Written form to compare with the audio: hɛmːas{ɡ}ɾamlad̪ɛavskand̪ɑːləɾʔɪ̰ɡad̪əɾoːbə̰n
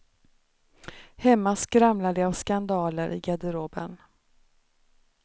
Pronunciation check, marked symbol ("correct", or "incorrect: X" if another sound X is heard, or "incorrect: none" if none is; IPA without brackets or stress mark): incorrect: k